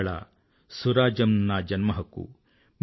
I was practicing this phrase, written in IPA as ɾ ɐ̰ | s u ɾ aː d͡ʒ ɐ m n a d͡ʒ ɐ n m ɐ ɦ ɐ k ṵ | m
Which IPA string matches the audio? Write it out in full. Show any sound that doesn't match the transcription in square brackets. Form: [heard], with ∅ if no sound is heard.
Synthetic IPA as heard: [ɭ] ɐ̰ | s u ɾ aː d͡ʒ ɐ m n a d͡ʒ ɐ n m ɐ ɦ ɐ k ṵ | m